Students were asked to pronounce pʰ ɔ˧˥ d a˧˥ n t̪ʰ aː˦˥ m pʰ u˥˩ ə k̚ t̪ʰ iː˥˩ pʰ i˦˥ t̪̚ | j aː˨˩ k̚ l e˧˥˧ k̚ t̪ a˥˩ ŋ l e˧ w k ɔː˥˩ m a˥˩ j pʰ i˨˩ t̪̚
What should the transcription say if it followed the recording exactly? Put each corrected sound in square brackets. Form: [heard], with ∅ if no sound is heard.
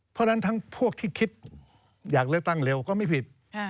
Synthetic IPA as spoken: pʰ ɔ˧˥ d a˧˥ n t̪ʰ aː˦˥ [ŋ] pʰ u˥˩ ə k̚ t̪ʰ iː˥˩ [kʰ] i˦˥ t̪̚ | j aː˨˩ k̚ l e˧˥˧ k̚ t̪ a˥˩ ŋ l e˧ w k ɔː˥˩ m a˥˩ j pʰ i˨˩ t̪̚